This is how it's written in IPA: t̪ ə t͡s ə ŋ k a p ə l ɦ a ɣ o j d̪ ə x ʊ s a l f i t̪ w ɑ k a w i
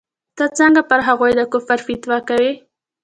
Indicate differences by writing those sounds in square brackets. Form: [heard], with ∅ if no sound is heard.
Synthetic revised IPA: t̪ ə t͡s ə ŋ [ɡ] a p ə [ɾ] ɦ a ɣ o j d̪ ə [k] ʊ [f] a [ɾ] f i t̪ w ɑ k a w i